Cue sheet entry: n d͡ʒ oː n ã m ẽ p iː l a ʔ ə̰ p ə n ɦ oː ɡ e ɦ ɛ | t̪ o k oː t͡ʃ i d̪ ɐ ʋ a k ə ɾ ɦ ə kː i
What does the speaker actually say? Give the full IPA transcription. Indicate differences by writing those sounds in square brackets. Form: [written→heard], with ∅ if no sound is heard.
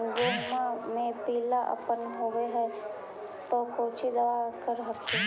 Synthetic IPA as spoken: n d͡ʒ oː [n→m] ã m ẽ p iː l a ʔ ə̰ p ə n ɦ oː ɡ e ɦ ɛ | t̪ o k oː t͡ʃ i d̪ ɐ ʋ a k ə ɾ ɦ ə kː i